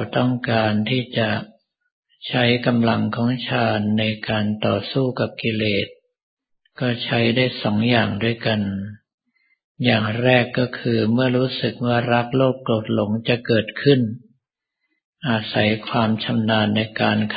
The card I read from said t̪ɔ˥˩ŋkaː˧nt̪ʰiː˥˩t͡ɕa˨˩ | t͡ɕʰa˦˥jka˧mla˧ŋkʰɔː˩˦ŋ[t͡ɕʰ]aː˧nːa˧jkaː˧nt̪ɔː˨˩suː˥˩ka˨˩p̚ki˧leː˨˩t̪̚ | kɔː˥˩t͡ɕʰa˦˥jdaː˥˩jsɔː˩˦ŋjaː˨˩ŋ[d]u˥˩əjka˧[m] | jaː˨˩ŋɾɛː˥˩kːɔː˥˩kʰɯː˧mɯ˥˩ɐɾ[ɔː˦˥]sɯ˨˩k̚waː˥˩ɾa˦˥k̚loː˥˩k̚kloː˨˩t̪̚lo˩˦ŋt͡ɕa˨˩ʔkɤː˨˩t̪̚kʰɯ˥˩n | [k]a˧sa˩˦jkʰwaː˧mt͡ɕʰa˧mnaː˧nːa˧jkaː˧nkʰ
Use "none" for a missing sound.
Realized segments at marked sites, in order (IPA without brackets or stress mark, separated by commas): t͡ɕʰ, d, n, uː˦˥, ʔ